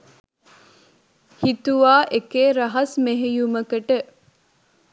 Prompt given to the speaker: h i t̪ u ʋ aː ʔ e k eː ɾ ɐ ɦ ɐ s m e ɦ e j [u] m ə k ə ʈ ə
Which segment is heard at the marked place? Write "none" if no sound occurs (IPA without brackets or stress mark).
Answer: u